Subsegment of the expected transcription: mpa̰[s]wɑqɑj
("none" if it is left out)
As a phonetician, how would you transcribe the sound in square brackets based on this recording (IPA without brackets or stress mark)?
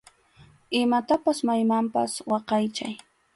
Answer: s